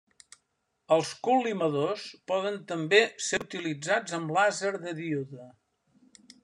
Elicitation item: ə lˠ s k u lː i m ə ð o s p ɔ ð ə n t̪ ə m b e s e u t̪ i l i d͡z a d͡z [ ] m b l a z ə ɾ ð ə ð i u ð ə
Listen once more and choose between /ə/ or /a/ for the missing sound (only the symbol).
ə